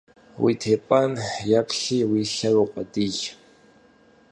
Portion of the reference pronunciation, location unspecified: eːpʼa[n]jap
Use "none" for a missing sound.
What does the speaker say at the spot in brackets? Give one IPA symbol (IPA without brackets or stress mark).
n